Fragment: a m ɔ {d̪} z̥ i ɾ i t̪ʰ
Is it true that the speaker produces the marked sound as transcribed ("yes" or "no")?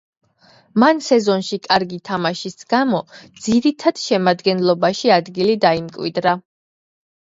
yes